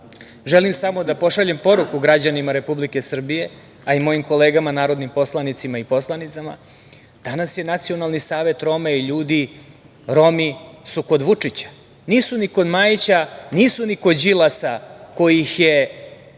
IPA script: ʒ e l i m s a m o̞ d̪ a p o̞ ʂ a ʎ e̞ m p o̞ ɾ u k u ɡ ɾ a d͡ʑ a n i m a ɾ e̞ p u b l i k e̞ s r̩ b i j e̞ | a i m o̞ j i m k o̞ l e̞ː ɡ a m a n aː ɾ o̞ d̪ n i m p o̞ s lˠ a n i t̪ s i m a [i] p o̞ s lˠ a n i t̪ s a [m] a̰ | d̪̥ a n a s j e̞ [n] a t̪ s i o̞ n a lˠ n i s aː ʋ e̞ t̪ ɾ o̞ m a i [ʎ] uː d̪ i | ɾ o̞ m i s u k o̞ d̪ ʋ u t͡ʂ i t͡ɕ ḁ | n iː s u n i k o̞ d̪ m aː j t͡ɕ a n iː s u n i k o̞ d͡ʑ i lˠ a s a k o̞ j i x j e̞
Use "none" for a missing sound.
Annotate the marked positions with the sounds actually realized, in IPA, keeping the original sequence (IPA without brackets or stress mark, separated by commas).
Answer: i, m, n, ʎ